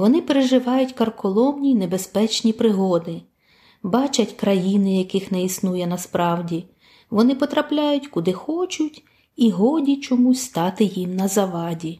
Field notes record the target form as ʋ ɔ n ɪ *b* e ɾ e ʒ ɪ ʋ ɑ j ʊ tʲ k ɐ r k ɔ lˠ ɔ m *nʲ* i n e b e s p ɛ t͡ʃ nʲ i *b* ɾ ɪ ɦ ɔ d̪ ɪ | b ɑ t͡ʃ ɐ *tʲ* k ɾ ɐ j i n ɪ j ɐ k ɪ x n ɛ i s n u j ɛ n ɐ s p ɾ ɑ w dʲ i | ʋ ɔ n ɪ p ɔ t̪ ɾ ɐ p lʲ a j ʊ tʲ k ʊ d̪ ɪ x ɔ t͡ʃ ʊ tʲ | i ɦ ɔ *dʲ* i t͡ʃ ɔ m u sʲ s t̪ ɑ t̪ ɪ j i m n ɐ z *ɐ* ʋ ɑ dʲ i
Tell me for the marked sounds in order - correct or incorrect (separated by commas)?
incorrect, correct, incorrect, correct, correct, correct